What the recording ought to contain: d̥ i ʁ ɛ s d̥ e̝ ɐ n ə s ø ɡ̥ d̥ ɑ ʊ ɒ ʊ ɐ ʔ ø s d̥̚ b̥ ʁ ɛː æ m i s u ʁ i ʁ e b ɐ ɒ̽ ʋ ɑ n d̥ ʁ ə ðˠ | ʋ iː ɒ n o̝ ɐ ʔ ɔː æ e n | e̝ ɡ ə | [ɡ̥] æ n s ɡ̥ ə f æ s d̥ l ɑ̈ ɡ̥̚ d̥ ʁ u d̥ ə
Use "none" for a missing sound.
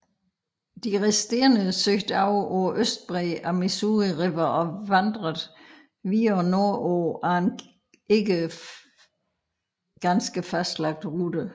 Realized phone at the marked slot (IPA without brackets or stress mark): ɡ̥